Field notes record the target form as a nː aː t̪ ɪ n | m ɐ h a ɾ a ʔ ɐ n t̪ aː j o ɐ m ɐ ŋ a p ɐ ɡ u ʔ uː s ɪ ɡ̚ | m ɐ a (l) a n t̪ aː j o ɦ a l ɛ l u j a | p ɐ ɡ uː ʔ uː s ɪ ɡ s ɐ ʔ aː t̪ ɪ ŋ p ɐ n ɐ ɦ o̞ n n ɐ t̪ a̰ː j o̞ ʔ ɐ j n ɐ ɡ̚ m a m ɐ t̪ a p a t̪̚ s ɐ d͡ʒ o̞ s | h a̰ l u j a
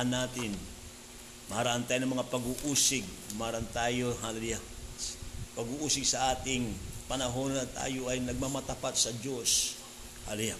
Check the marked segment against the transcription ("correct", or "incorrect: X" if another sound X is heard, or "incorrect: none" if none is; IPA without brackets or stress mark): incorrect: ɾ